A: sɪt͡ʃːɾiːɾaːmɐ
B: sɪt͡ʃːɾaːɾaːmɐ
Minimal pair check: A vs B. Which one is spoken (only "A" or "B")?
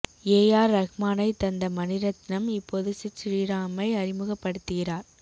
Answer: A